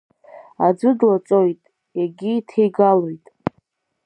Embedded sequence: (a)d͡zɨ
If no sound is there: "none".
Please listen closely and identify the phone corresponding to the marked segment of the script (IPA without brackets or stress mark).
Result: a